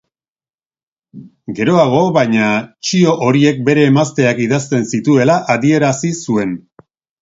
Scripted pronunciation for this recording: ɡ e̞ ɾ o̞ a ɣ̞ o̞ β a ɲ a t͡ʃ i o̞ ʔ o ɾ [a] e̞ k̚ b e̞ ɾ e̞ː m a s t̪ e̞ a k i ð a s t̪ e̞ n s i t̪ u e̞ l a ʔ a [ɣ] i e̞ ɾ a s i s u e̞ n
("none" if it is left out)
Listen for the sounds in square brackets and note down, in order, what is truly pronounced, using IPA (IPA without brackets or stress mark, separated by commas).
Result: i, ð